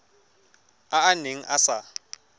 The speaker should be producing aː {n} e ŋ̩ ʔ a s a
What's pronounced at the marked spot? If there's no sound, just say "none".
n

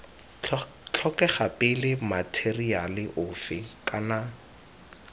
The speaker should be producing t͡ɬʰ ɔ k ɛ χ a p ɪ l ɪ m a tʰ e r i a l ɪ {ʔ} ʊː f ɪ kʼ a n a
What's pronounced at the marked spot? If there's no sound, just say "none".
ʔ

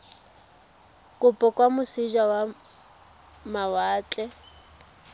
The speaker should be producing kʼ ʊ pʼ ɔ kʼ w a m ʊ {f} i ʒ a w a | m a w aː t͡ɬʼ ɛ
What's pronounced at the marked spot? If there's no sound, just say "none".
s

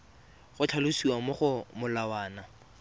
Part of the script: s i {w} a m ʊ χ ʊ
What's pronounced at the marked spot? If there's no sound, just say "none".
w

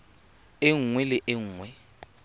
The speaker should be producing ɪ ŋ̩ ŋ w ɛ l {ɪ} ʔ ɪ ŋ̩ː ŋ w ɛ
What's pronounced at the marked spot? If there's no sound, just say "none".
ɪ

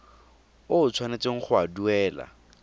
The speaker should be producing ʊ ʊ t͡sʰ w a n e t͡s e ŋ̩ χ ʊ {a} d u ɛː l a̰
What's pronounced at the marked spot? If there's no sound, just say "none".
a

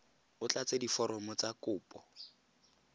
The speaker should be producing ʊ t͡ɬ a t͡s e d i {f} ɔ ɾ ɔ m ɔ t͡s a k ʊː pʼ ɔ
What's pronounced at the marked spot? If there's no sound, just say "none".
f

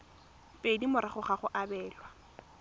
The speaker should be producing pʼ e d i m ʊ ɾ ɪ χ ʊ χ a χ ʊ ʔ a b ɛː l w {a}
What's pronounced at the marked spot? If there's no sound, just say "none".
a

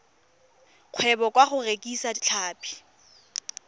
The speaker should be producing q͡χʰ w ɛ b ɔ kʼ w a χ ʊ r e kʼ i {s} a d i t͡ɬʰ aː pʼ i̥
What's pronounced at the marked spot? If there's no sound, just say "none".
s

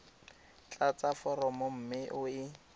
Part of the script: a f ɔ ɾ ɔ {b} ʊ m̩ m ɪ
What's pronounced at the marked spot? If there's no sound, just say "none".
m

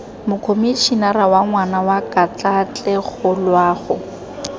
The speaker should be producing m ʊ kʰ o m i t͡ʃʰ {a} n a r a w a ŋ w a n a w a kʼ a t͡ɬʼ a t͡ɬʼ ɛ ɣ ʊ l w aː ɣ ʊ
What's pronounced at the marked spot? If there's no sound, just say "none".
i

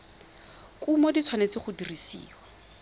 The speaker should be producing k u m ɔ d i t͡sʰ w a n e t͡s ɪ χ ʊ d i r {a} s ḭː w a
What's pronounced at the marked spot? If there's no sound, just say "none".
i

